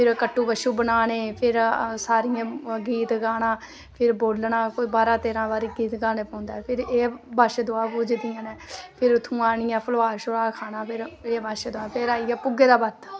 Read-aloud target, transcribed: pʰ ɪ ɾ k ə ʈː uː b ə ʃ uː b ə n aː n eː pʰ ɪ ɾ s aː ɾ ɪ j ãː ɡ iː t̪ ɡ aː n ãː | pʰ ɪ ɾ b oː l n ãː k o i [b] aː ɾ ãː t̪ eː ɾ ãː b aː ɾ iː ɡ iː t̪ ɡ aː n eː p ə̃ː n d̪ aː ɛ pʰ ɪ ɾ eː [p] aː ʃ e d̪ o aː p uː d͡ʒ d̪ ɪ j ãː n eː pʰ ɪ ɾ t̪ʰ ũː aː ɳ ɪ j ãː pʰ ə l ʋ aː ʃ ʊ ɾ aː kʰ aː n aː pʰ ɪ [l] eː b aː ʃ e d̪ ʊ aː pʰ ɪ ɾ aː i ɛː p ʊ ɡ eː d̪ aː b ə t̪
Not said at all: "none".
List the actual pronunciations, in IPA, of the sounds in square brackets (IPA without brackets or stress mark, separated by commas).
b, b, ɾ